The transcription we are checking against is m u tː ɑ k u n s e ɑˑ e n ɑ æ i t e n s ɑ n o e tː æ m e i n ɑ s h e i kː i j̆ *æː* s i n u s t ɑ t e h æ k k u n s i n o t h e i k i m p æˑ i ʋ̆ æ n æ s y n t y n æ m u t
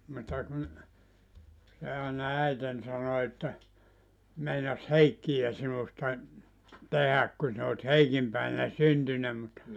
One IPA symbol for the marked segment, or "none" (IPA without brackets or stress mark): æ